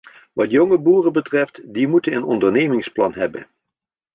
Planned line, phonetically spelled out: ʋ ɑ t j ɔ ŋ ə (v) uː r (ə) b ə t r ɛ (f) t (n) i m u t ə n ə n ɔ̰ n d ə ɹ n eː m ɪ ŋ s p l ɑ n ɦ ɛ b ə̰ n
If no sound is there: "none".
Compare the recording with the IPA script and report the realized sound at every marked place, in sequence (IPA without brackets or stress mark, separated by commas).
b, ə, f, d